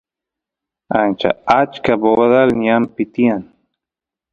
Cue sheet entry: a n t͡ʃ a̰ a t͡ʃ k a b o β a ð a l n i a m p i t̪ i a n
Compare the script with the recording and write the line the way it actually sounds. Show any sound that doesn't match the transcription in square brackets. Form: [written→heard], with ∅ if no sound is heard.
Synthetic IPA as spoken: a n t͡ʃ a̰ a t͡ʃ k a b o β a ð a l n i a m p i t̪ i a n